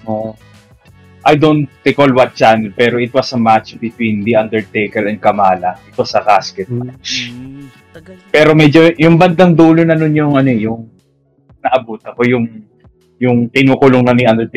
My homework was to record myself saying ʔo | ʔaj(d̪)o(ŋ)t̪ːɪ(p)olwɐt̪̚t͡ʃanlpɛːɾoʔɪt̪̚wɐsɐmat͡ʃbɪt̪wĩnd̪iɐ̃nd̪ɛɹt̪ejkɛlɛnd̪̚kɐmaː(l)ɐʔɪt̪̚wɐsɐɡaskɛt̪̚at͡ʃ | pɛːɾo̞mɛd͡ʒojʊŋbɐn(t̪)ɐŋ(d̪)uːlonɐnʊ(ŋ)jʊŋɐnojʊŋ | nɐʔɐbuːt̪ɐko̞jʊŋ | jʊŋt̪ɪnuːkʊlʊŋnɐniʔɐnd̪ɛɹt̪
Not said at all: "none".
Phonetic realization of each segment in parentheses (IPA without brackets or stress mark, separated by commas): d̪, n, k, l, d̪, d̪, n